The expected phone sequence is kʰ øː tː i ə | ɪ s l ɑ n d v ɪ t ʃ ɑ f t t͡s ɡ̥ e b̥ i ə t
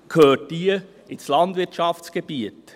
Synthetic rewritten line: kʰ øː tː i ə | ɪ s l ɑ n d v ɪ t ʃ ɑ f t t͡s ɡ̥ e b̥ i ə t